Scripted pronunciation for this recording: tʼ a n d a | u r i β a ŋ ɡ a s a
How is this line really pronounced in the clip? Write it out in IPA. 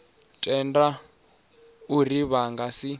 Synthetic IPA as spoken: tʼ ɛ n d a | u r i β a ŋ ɡ a s i